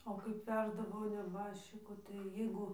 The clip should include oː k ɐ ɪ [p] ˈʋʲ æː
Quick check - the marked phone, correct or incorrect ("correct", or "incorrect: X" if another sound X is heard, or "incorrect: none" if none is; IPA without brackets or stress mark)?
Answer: correct